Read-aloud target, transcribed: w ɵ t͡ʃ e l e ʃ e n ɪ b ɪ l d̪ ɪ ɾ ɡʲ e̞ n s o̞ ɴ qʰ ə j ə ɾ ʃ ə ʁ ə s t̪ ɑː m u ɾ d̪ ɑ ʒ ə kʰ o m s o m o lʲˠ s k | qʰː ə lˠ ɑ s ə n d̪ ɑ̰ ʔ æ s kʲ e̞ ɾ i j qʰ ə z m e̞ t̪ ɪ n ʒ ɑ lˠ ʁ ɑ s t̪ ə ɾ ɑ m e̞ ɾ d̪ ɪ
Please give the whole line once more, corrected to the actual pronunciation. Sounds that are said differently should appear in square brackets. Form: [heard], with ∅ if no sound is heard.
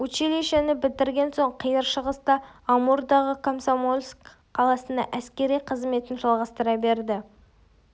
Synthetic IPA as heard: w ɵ t͡ʃ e l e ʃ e n ɪ b ɪ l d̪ ɪ ɾ ɡʲ e̞ n s o̞ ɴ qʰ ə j ə ɾ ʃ ə ʁ ə s t̪ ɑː m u ɾ d̪ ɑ [ʁ] ə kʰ o m s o m o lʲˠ s k | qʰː [ɑ] lˠ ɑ s ə n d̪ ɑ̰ ʔ æ s kʲ e̞ ɾ i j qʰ ə z m e̞ t̪ ɪ n ʒ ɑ lˠ ʁ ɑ s t̪ ə ɾ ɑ [b] e̞ ɾ d̪ ɪ